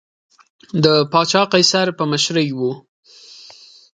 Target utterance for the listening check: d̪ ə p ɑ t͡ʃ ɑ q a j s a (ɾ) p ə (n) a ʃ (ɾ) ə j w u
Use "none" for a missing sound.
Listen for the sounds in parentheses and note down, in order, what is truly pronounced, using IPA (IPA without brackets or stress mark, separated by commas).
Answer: ɾ, m, ɾ